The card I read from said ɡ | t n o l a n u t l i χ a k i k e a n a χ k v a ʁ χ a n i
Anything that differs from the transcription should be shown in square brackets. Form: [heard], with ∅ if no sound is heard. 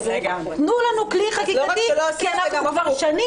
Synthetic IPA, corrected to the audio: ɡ | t n [u] l a n u [k] l i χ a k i k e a n a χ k v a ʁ [ʃ] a n i